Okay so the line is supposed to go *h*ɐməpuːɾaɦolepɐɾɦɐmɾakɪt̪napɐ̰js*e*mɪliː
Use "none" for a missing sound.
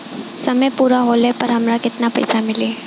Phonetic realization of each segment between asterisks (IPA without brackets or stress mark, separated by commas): s, a